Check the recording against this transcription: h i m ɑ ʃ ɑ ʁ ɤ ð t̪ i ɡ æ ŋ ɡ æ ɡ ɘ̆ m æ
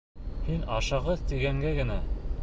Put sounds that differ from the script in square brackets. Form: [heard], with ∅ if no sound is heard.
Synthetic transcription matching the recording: h i [n] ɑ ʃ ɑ ʁ ɤ ð t̪ i ɡ æ ŋ ɡ æ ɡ ɘ̆ [n] æ